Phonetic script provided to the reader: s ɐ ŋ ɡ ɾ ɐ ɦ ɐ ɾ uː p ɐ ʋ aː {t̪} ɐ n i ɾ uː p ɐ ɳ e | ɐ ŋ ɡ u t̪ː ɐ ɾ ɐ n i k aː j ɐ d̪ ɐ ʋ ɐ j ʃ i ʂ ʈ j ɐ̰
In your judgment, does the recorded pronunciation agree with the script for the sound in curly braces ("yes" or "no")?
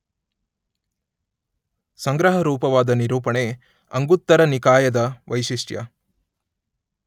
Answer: no